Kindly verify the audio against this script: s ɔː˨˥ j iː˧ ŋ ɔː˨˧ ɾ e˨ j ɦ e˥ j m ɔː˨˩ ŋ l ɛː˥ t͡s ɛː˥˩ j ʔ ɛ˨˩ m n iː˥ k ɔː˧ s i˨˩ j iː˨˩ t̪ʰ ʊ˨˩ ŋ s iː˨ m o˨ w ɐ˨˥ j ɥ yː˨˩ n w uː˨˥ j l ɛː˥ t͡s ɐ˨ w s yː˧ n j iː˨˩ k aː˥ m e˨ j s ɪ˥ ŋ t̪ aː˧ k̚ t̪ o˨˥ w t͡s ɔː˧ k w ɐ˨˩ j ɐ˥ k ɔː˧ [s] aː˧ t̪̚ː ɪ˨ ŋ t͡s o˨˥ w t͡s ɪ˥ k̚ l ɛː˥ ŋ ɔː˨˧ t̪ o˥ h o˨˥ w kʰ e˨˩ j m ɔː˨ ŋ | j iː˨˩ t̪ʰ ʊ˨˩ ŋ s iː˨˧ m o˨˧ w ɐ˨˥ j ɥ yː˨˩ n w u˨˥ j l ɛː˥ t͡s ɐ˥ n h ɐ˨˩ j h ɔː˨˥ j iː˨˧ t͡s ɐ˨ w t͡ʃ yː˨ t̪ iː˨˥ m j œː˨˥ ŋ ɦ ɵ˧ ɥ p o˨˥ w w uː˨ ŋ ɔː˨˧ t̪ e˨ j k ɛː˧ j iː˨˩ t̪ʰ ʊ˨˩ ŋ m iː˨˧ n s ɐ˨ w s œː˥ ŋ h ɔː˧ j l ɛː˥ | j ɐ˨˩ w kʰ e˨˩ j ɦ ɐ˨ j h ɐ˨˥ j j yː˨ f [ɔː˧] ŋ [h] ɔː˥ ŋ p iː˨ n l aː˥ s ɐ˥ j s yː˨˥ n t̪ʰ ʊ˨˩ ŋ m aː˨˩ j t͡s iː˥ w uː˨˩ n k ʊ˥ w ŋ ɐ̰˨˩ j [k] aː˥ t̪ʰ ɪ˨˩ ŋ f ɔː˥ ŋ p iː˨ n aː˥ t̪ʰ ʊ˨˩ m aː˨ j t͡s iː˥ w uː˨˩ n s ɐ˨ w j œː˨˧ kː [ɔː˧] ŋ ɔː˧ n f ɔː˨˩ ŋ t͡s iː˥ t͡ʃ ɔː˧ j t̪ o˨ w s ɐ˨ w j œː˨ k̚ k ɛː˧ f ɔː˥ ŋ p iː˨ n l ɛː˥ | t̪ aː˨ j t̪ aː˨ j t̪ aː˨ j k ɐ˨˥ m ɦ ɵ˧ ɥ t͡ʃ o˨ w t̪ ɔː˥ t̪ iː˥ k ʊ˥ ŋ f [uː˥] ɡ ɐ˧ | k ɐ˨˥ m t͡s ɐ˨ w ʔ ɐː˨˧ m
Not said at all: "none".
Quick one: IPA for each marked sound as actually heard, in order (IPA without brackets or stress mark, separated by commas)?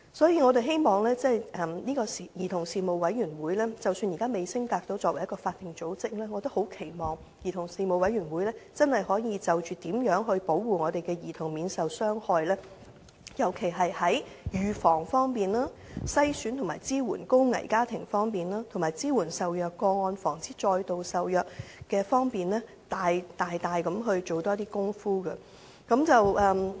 f, ɔː˨˩, f, k, ɔː˧, uː˥